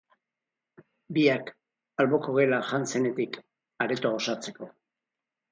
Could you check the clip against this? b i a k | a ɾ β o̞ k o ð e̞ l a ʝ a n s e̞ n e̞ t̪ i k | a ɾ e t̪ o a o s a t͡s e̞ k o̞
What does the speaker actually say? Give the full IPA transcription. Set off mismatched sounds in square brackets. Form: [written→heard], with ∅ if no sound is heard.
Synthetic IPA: b i a k | a [ɾ→l] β o̞ k o [ð→ɣ] e̞ l a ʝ a n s e̞ n e̞ t̪ i k | a ɾ e t̪ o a o s a t͡s e̞ k o̞